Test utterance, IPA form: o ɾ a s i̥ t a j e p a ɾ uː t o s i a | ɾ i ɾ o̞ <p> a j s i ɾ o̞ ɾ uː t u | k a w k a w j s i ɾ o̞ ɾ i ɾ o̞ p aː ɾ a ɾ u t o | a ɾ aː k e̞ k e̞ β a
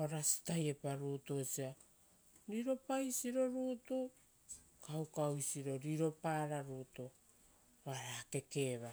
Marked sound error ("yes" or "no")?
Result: no